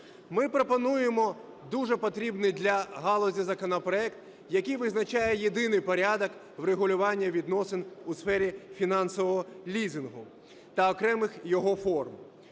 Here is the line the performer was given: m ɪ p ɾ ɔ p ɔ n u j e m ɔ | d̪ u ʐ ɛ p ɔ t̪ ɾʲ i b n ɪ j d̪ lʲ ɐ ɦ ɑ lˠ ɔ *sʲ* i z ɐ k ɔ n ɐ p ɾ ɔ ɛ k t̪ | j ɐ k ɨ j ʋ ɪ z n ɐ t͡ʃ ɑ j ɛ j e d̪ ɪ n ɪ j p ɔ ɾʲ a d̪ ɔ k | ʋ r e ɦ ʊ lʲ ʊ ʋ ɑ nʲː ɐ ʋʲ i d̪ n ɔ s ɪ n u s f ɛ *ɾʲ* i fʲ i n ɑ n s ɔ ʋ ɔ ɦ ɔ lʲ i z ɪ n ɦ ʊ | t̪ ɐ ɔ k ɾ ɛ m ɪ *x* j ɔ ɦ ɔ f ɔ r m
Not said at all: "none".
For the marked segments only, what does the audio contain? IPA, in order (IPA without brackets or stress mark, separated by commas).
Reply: zʲ, ɾʲ, x